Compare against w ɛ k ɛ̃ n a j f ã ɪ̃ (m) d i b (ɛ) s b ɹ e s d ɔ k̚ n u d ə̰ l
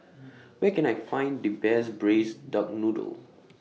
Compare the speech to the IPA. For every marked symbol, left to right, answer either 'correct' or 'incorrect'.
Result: incorrect: n, correct

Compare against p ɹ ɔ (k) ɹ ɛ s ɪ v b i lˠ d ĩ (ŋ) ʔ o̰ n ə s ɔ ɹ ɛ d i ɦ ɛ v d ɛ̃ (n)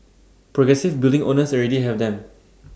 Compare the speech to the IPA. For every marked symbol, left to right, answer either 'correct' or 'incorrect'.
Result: incorrect: ɡ, correct, incorrect: m

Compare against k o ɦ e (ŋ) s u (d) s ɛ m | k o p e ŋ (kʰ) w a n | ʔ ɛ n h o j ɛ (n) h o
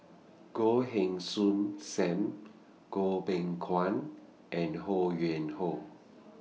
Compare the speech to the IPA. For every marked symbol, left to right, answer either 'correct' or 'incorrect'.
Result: correct, incorrect: n, correct, correct

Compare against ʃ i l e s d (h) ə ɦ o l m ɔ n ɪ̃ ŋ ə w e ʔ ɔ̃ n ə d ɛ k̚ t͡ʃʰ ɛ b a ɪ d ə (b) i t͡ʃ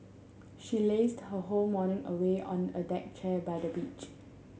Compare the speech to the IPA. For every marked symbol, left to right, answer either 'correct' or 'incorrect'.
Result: correct, correct

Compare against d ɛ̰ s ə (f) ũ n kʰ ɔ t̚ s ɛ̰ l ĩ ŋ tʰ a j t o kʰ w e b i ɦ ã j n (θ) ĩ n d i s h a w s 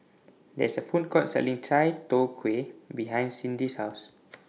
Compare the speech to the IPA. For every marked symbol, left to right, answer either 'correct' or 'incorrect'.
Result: correct, incorrect: s

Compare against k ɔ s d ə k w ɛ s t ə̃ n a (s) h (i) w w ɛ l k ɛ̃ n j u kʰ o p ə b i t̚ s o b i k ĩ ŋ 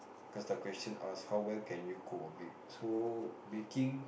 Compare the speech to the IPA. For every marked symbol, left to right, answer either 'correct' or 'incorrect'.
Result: correct, incorrect: a

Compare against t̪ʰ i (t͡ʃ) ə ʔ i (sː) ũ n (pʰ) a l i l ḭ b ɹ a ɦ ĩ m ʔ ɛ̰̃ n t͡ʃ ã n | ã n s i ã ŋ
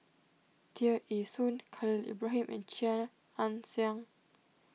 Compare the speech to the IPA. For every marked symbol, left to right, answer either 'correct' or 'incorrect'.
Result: incorrect: none, incorrect: s, incorrect: kʰ

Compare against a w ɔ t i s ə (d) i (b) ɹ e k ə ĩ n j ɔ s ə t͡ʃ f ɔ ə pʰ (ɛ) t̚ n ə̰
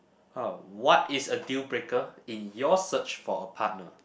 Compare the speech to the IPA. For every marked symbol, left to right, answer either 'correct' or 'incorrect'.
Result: correct, correct, incorrect: a

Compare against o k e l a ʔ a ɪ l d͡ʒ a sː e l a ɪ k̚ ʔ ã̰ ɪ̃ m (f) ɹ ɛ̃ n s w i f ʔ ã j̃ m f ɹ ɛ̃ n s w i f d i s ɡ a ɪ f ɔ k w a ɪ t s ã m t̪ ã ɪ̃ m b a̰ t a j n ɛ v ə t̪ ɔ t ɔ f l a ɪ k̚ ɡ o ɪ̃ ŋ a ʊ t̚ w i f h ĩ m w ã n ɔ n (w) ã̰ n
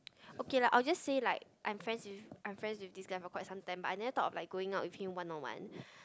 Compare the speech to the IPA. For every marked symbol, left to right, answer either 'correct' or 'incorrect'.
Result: correct, correct

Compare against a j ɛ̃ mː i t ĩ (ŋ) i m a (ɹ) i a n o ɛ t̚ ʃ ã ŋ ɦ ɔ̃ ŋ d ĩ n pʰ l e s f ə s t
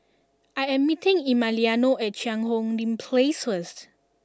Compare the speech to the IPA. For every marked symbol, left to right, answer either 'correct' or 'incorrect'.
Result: correct, incorrect: l

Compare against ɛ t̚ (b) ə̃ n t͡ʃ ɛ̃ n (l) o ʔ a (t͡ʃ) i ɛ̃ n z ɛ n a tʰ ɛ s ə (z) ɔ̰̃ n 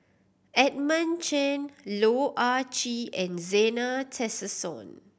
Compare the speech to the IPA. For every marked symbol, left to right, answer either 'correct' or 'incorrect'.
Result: incorrect: m, correct, correct, incorrect: s

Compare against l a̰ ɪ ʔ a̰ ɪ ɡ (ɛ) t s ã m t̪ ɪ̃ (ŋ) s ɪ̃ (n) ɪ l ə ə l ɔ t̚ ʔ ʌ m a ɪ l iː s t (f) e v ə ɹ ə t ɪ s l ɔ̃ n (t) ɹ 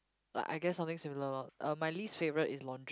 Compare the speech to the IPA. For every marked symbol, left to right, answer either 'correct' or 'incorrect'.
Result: correct, correct, incorrect: m, correct, incorrect: d

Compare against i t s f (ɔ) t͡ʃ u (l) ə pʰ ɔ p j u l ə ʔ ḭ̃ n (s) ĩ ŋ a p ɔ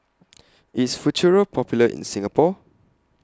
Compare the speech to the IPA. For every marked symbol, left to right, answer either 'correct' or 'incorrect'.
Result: incorrect: u, incorrect: ɹ, correct

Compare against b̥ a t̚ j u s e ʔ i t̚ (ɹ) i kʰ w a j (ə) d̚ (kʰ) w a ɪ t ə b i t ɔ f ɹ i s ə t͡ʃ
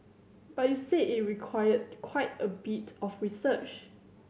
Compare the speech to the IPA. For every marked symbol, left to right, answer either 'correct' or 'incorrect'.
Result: correct, correct, correct

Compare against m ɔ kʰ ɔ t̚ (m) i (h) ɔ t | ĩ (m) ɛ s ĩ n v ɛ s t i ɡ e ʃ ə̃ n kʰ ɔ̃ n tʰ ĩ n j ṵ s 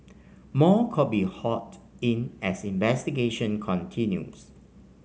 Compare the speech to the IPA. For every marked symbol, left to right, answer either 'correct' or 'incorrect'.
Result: incorrect: b, correct, incorrect: n

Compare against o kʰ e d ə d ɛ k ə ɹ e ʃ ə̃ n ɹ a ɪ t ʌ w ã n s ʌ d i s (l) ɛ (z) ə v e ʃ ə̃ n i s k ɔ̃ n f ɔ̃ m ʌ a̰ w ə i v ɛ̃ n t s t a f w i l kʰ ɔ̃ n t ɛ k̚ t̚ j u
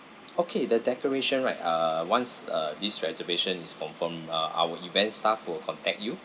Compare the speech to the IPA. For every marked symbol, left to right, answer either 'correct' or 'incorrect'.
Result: incorrect: ɹ, correct

